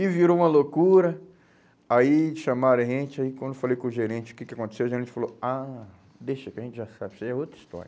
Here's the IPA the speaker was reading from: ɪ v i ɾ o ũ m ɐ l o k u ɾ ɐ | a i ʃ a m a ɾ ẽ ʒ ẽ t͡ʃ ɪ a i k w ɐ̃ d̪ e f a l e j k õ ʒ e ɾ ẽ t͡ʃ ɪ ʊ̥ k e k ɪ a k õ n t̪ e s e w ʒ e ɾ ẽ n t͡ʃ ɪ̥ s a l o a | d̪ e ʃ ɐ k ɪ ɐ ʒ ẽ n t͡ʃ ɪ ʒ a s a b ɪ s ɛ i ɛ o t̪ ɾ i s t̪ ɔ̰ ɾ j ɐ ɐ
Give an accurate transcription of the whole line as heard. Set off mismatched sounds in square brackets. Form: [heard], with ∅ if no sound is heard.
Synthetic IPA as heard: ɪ v i ɾ o ũ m ɐ l o k u ɾ ɐ | a i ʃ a m a ɾ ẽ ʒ ẽ t͡ʃ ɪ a i k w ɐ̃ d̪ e f a l e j k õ ʒ e ɾ ẽ t͡ʃ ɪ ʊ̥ k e k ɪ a k õ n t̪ e s e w ʒ e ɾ ẽ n t͡ʃ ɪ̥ [f] a l o a | d̪ e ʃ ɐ k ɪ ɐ ʒ ẽ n t͡ʃ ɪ ʒ a s a b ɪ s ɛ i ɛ o t̪ ɾ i s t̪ ɔ̰ ɾ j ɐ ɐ